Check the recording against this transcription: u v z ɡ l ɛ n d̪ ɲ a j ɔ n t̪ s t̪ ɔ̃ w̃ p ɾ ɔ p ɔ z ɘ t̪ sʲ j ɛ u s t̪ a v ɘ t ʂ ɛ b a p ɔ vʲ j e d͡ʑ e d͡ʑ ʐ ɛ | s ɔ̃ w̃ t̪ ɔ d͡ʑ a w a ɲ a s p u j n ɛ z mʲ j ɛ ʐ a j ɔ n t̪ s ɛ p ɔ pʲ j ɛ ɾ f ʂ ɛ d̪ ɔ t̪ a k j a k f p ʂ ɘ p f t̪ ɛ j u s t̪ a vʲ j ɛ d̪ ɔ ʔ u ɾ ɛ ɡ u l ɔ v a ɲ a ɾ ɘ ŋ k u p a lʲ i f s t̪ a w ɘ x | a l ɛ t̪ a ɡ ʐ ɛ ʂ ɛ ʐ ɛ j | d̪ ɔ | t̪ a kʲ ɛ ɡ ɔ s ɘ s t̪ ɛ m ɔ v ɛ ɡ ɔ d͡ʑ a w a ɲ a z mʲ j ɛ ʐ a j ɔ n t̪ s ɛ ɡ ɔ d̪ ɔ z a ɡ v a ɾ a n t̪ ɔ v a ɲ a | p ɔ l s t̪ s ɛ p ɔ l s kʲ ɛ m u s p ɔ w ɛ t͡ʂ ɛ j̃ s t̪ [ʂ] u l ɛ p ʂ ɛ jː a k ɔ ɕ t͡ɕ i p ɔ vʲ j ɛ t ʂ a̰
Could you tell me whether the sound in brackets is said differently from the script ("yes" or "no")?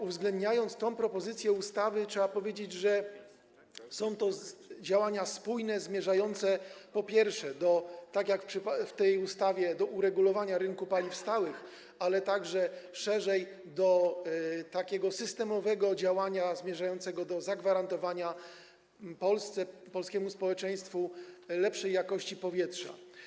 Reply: yes